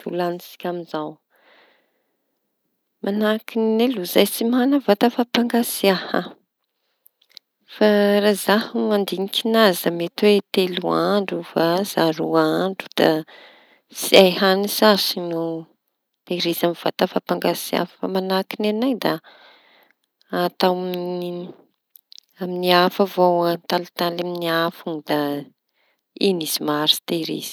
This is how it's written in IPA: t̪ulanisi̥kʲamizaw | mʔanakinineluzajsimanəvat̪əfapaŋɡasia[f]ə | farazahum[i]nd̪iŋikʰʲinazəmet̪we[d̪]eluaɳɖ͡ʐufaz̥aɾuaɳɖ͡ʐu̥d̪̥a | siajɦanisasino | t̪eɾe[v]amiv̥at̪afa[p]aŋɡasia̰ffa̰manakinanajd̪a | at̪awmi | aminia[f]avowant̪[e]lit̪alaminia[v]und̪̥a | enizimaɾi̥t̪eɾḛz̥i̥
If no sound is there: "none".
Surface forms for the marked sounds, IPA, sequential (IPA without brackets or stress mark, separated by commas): h, a, t̪, z, p, f, a, f